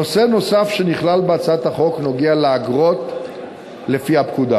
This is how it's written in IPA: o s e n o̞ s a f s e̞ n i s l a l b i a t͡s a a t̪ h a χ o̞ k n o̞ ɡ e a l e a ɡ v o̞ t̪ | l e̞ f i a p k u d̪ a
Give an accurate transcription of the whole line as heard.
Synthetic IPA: o s e n o̞ s a f ʃ e̞ n i χ l a l b e a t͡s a a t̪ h a χ o̞ k n o̞ ɡ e a l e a ɡ ʁ o̞ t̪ | l e̞ f i a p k u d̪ a